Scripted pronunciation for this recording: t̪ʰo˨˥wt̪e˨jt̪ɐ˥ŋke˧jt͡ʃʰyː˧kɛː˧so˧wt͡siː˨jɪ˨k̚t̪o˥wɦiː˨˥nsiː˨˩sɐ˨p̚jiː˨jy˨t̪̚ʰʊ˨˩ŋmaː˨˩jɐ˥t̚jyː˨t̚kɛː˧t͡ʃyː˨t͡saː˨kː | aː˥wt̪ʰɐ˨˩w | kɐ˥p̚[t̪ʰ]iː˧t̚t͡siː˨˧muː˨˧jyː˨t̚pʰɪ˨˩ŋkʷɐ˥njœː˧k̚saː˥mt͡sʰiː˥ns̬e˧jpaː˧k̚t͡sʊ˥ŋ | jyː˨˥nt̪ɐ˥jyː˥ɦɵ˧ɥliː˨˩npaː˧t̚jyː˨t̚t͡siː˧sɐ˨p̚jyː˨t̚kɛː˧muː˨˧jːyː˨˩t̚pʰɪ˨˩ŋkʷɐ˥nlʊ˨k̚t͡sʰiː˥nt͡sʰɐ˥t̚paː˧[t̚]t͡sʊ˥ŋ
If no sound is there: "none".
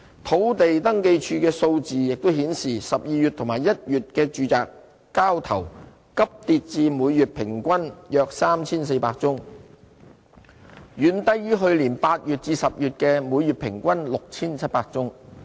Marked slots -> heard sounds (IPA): t̪, k̚

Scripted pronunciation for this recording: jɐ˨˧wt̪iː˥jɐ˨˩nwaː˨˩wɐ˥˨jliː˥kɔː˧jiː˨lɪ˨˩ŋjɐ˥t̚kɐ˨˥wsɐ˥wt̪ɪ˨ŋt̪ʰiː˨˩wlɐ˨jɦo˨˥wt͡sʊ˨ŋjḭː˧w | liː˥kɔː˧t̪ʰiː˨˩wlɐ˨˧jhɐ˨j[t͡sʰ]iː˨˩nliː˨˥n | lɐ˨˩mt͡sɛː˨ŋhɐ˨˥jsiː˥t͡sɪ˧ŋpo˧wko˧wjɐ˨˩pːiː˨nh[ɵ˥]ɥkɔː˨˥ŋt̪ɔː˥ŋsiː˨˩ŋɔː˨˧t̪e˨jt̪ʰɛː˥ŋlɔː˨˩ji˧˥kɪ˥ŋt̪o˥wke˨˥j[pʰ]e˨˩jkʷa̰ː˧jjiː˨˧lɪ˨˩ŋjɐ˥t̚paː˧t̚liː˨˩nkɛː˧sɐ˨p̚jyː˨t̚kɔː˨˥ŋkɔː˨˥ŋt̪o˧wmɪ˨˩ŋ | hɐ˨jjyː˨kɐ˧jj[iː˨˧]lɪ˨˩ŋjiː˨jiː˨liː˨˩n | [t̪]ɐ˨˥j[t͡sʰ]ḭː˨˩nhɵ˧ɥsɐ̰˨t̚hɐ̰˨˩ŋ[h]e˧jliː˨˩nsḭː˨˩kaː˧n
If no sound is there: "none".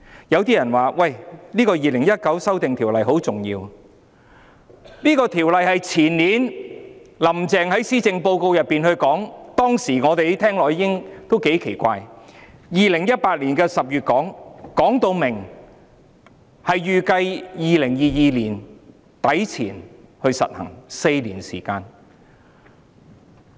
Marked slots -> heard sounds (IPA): t͡sʰ, ɵ˧, kʰ, iː˨˧, t̪, t͡sʰ, s

